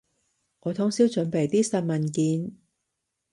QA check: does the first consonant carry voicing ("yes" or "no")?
yes